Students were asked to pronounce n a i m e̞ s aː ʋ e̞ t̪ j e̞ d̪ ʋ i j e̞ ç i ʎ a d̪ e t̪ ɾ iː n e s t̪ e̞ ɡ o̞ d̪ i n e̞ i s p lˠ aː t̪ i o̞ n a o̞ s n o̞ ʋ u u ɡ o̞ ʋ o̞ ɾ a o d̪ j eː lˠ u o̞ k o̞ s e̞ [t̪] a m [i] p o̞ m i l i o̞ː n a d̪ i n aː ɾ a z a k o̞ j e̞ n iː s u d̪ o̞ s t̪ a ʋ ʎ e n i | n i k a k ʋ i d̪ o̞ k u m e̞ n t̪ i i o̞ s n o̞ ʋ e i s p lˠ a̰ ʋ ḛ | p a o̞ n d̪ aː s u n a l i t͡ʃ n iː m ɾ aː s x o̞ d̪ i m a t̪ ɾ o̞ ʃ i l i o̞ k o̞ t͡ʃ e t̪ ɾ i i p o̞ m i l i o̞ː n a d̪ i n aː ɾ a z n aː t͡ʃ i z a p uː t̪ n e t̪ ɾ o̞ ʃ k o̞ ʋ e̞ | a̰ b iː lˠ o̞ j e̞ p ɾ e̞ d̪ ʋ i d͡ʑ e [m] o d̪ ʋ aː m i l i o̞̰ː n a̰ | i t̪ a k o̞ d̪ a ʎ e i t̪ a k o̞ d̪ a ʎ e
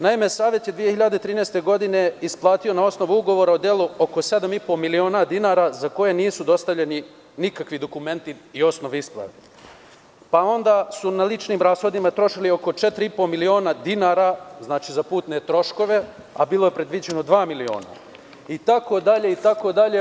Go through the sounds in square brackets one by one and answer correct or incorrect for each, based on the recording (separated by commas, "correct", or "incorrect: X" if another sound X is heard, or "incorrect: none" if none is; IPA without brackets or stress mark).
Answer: incorrect: d̪, correct, incorrect: n